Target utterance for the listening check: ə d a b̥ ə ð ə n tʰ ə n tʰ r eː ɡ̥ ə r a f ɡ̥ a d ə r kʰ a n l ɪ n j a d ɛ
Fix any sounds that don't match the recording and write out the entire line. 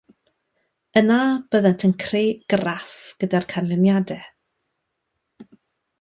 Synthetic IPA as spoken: ə n a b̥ ə ð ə n tʰ ə n kʰ r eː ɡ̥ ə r a f ɡ̥ ə d a r kʰ a n l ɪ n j a d ɛ